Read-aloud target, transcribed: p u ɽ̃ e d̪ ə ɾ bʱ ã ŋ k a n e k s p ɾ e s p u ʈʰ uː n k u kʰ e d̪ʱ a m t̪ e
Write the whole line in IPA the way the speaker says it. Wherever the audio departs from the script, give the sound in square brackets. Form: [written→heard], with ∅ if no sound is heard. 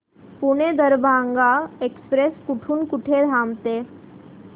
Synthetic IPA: p u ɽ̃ e d̪ ə ɾ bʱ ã ŋ [k→ɡ] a [n→∅] e k s p ɾ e s [p→k] u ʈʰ uː n k u [kʰ→ʈʰ] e d̪ʱ a m t̪ e